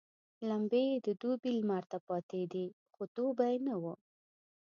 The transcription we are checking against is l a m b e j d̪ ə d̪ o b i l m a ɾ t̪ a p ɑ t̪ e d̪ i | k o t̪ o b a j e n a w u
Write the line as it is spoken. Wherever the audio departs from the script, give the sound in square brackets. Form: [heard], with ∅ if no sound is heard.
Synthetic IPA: l a m b e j d̪ ə d̪ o b i l m a ɾ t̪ a p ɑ t̪ e d̪ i | [x] o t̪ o b a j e n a w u